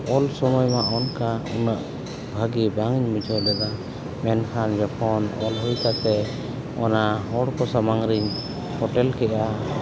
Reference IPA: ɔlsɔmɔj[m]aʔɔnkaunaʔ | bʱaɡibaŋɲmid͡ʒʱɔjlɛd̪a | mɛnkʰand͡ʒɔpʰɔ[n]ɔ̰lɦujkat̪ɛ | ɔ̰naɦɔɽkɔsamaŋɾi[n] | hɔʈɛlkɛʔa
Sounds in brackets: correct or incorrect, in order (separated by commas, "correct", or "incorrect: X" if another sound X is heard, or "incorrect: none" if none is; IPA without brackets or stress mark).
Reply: correct, correct, incorrect: ɲ